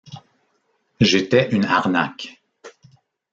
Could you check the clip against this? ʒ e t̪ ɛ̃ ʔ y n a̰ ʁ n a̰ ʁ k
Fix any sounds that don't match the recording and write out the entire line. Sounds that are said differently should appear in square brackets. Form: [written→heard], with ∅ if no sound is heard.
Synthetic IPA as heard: ʒ e t̪ [ɛ̃→ɛ] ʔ y n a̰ ʁ n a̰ [ʁ→∅] k